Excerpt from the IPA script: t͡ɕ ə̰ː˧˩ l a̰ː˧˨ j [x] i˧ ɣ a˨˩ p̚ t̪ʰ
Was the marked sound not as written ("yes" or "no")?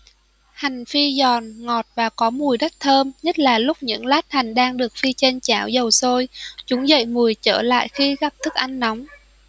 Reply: no